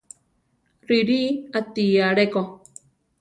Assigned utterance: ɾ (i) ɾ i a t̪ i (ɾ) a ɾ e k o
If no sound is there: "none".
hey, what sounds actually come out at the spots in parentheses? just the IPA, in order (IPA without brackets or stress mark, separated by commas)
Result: i, none